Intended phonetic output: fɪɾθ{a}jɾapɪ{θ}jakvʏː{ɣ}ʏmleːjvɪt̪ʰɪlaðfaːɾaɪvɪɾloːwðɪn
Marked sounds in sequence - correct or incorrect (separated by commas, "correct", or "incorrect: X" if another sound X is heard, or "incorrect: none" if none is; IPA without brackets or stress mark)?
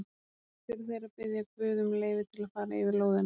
incorrect: e, incorrect: ð, incorrect: ð